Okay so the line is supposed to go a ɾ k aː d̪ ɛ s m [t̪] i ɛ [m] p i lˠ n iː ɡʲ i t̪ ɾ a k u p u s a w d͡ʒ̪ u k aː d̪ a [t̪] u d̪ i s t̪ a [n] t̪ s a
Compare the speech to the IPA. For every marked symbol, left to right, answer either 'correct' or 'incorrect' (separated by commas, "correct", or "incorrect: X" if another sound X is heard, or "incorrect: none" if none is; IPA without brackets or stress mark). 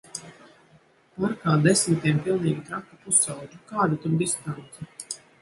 correct, correct, correct, correct